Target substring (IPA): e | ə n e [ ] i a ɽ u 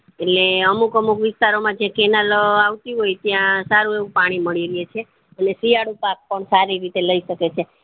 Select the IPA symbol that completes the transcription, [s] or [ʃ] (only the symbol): s